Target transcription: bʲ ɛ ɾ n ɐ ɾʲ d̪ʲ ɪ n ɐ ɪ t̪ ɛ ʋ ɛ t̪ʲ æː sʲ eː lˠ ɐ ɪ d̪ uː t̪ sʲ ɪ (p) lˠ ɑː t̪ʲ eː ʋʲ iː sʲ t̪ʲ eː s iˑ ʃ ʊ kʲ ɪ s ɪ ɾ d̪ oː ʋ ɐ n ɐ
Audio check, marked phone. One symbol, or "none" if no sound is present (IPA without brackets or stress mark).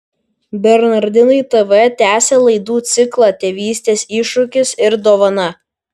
k